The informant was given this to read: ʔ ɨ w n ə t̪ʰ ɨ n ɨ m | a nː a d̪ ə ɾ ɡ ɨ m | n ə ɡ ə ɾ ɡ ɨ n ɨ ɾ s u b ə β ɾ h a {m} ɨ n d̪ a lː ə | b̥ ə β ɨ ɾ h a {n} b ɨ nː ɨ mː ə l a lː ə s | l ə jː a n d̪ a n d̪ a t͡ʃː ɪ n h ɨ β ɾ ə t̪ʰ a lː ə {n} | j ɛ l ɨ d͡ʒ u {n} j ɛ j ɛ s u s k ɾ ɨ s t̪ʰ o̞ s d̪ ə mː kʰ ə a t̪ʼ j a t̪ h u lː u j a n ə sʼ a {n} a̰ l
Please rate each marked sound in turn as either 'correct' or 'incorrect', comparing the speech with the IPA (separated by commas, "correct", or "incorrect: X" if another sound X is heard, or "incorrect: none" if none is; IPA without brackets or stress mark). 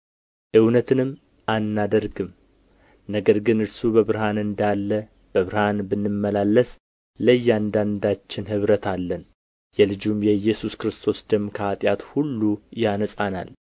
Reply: incorrect: n, correct, correct, incorrect: m, correct